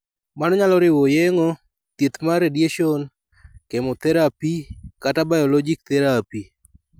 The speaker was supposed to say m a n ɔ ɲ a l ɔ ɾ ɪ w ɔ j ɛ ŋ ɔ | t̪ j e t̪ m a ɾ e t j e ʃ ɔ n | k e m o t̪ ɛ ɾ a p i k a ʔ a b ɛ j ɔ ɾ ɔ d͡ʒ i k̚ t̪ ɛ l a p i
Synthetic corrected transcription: m a n ɔ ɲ a l ɔ ɾ ɪ w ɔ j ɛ ŋ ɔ | t̪ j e t̪ m a ɾ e d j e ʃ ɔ n | k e m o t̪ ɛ ɾ a p i k a t a b a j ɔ l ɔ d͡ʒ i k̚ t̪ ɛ ɾ a p i